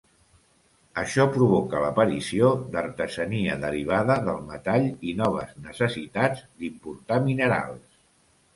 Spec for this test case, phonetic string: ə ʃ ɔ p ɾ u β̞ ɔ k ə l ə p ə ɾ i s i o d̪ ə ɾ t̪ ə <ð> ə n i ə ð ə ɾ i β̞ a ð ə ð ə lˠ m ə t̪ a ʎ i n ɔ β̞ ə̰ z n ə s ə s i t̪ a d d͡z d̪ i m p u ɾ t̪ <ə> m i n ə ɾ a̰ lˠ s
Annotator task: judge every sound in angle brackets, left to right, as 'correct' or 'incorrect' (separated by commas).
incorrect, incorrect